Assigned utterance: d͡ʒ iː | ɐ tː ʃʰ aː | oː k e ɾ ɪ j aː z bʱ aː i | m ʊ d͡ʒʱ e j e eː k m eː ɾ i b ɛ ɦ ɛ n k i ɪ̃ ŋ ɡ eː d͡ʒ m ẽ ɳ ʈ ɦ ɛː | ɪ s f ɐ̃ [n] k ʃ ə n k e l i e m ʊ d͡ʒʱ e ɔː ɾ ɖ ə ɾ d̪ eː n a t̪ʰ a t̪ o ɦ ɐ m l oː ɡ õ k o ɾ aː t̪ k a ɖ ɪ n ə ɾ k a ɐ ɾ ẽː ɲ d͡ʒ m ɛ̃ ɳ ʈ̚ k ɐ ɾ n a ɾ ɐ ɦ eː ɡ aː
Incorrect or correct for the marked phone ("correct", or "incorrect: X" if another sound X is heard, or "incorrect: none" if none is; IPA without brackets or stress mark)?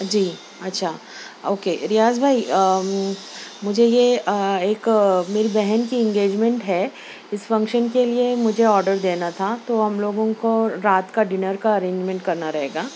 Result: incorrect: ŋ